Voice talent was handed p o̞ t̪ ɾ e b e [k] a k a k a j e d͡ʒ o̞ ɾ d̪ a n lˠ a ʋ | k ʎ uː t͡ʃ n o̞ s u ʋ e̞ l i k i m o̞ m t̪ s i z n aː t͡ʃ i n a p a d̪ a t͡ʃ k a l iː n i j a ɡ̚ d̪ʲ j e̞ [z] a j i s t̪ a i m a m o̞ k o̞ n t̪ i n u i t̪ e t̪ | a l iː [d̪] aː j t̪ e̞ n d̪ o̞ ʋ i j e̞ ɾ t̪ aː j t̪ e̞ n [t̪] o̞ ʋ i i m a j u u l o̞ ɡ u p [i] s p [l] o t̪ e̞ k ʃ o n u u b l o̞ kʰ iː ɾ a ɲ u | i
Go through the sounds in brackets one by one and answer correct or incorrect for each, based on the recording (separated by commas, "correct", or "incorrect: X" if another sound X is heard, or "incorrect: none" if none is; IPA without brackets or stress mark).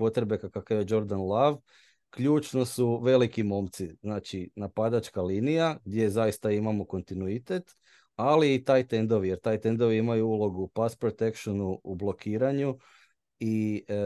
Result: correct, correct, incorrect: t̪, incorrect: d̪, incorrect: a, incorrect: ɾ